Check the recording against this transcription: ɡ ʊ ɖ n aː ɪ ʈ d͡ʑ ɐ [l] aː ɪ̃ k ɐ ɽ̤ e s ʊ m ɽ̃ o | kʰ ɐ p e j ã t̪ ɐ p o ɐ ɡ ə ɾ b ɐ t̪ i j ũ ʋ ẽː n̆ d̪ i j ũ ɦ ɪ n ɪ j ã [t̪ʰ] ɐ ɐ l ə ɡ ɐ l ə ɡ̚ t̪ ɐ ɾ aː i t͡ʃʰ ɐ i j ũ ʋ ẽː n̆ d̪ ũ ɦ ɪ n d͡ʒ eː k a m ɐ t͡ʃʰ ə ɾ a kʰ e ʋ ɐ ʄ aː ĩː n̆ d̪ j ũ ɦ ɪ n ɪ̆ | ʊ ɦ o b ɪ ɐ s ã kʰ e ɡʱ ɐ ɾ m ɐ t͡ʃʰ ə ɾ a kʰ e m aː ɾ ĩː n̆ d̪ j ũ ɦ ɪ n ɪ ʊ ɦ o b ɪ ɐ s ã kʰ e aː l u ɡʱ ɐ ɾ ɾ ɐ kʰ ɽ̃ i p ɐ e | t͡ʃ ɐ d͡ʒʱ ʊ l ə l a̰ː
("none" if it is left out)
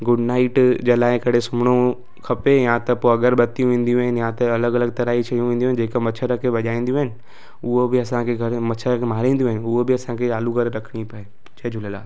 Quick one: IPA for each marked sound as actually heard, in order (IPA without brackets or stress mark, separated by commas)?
l, t̪